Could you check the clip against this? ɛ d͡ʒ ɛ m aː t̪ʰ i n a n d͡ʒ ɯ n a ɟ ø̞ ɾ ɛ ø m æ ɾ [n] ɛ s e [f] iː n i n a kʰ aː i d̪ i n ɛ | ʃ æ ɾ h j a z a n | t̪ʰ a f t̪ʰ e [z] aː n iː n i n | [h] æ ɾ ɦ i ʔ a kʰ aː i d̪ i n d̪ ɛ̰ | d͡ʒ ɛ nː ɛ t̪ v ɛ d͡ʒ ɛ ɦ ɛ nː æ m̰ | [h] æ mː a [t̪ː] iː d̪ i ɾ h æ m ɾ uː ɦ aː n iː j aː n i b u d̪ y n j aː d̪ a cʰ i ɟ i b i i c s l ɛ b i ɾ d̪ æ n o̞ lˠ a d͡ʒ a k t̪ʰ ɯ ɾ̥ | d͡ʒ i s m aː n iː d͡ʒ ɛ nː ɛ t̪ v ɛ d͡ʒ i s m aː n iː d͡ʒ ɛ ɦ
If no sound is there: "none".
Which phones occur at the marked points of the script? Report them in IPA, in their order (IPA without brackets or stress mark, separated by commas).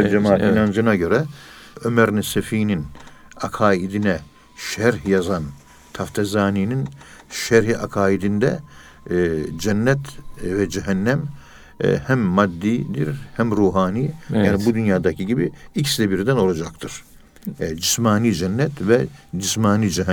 n, f, z, ʃ, h, d̪ː